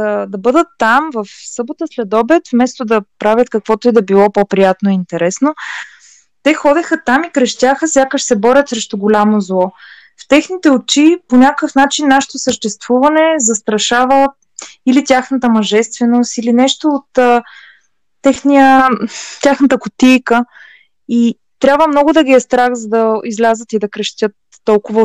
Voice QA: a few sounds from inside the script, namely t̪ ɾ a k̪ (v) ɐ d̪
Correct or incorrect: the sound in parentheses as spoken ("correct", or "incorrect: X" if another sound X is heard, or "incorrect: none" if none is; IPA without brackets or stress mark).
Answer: incorrect: z